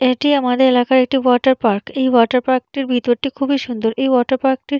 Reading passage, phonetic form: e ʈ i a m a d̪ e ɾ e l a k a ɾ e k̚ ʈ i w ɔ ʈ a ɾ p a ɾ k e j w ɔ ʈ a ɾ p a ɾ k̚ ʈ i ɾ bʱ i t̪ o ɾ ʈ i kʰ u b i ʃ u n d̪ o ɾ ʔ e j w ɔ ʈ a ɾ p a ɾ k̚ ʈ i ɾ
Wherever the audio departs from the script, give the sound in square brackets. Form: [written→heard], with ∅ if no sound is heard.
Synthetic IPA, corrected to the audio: e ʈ i a m a d̪ e ɾ e l a k a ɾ e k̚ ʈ i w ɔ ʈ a ɾ p a ɾ k e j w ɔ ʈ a ɾ p a ɾ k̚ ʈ i ɾ bʱ i t̪ o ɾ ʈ i kʰ u b i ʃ u n d̪ o ɾ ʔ e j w ɔ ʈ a ɾ p a ɾ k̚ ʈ i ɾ